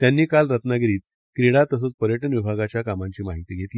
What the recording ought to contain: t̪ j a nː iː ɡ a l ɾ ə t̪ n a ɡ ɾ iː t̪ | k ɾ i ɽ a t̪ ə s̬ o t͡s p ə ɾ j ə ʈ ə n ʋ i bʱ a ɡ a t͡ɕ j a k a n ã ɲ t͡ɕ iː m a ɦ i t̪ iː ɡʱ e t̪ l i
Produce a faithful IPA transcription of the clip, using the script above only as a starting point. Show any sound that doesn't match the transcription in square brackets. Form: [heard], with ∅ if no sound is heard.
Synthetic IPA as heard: t̪ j a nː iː [k] a l ɾ ə t̪ n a ɡ ɾ iː t̪ | k ɾ i ɽ a t̪ ə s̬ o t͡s p ə ɾ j ə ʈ ə n ʋ i bʱ a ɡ a t͡ɕ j a k a [m] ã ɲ t͡ɕ iː m a ɦ i t̪ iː ɡʱ e t̪ l i